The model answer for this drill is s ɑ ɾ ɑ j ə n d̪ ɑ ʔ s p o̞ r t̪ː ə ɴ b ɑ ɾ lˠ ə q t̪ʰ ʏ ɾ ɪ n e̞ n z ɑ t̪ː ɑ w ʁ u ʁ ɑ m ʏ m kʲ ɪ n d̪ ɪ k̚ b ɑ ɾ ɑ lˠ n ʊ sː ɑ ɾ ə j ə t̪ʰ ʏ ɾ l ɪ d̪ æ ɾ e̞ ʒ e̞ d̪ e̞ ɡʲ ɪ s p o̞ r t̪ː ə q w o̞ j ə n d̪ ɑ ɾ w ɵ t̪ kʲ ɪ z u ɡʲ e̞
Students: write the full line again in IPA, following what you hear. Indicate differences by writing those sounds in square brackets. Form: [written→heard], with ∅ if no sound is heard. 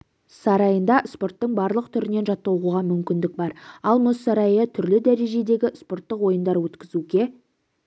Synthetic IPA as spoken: s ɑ ɾ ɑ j ə n d̪ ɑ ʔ s p o̞ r t̪ː ə ɴ b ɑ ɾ lˠ ə q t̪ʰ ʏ ɾ ɪ n e̞ n [z→ʒ] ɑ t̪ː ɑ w ʁ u ʁ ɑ m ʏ m kʲ ɪ n d̪ ɪ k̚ b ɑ ɾ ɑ lˠ [n→m] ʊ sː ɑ ɾ [ə→ɑ] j ə t̪ʰ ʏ ɾ l ɪ d̪ æ ɾ e̞ ʒ e̞ d̪ e̞ ɡʲ ɪ s p o̞ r t̪ː ə q w o̞ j ə n d̪ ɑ ɾ w ɵ t̪ kʲ ɪ z u ɡʲ e̞